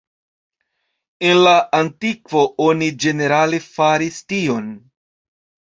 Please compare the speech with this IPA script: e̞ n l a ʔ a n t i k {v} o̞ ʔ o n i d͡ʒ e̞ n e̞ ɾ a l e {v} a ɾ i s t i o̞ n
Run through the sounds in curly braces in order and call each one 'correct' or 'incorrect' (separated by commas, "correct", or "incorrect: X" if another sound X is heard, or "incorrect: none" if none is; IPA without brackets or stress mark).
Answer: correct, incorrect: f